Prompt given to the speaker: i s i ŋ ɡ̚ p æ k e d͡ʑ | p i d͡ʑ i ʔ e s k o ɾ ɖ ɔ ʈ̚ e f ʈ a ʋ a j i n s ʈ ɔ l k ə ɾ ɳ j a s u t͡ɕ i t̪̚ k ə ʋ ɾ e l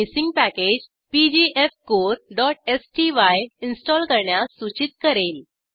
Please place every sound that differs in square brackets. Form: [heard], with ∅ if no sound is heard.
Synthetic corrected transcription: i s i ŋ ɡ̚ p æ k e d͡ʑ | p i d͡ʑ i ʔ e [f] k o ɾ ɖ ɔ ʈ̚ e [s] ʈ [i] ʋ a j i n s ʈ ɔ l k ə ɾ ɳ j a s u t͡ɕ i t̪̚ k ə [∅] ɾ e l